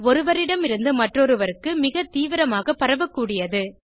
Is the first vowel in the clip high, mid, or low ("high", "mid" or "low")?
mid